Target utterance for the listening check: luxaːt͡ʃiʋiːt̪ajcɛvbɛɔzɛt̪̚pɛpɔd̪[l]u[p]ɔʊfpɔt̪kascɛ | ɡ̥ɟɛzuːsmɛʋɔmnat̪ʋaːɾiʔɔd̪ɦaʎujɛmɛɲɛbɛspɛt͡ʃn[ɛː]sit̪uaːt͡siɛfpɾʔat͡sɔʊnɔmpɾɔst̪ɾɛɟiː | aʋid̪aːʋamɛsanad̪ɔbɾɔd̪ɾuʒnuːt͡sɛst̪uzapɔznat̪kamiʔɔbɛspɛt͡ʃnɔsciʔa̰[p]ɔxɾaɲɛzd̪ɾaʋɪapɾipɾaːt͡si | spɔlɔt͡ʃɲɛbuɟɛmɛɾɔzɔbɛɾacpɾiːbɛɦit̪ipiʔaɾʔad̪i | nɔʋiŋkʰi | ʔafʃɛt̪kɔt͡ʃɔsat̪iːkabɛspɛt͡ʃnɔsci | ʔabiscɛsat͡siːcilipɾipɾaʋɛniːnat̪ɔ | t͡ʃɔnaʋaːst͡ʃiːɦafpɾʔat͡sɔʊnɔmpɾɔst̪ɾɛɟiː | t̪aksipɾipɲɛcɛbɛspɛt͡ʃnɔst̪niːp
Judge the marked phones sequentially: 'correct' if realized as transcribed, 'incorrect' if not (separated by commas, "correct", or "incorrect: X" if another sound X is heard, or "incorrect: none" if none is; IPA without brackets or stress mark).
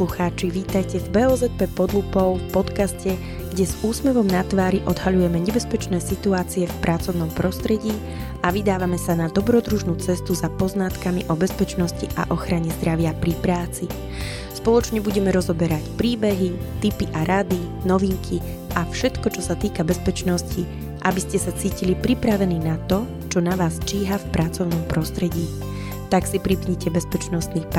correct, correct, correct, incorrect: ʔ